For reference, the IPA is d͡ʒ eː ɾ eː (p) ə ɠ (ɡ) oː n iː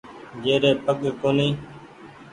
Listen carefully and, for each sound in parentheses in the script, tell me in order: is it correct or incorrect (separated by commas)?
correct, incorrect